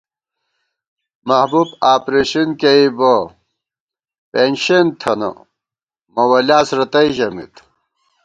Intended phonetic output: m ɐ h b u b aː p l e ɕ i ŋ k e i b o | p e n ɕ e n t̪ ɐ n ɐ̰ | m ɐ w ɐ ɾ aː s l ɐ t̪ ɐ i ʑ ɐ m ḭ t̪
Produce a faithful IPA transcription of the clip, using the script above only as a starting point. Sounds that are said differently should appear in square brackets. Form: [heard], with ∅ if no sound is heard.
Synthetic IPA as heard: m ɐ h b u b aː p [ɾ] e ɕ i [n] k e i b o | p e n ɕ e n [t̪ʰ] ɐ n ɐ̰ | m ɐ w ɐ [l] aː s [ɾ] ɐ t̪ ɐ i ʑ ɐ m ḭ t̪